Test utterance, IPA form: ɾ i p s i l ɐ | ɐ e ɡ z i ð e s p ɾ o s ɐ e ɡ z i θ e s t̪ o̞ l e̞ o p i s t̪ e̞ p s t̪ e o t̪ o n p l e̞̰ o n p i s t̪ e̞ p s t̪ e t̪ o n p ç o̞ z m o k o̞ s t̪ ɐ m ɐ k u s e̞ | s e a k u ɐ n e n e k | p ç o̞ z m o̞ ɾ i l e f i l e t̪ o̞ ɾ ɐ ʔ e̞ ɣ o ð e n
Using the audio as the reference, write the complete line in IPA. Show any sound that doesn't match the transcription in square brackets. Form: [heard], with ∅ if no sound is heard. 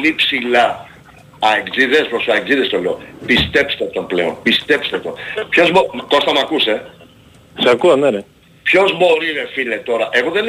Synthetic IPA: [l] i p s i l ɐ | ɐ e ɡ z i ð e s p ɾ o s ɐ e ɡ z i [ð] e s t̪ o̞ l e̞ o p i s t̪ e̞ p s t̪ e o t̪ o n p l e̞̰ o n p i s t̪ e̞ p s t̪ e t̪ o n p ç o̞ z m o k o̞ s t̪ ɐ m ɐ k u s e̞ | s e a k u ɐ n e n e [∅] | p ç o̞ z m o̞ ɾ i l e f i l e t̪ o̞ ɾ ɐ ʔ e̞ ɣ o ð e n